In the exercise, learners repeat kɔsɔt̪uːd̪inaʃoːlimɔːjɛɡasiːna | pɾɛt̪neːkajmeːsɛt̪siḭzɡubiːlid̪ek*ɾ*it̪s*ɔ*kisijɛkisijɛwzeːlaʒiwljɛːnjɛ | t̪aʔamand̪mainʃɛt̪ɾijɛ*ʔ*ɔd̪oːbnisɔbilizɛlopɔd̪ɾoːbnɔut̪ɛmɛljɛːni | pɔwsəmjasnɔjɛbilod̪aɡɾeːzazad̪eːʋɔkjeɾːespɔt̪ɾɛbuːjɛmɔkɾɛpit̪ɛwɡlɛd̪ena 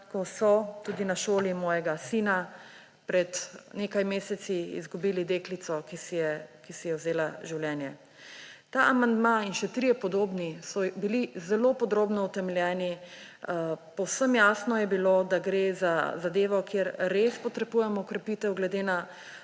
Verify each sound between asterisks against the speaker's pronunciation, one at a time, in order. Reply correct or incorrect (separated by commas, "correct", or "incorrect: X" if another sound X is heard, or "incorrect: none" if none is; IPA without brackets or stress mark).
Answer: incorrect: l, correct, incorrect: p